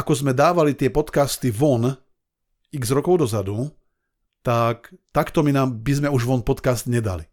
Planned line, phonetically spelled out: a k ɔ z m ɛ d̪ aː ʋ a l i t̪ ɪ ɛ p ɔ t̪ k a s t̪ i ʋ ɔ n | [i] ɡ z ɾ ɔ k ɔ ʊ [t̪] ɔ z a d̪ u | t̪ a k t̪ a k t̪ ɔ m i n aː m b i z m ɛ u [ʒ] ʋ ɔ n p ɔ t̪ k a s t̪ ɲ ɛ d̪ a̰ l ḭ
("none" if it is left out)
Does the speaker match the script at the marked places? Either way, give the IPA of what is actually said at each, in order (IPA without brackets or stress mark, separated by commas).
i, d̪, ʒ